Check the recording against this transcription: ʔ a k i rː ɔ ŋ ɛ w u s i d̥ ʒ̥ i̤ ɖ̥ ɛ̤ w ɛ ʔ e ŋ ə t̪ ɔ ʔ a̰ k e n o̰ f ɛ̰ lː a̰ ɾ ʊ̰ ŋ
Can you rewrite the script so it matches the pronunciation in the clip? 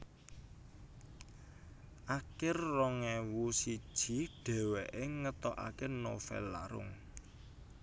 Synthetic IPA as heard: ʔ a k ɪ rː ɔ ŋ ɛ w u s i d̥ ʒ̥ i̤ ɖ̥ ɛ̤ w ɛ ʔ e ŋ ə t̪ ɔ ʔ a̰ k e n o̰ f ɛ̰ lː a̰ ɾ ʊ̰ ŋ